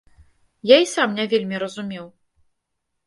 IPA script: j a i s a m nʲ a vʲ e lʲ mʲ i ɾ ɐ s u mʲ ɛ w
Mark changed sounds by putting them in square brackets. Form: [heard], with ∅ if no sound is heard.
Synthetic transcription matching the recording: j a i s a m nʲ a vʲ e lʲ mʲ i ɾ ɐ [z] u mʲ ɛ w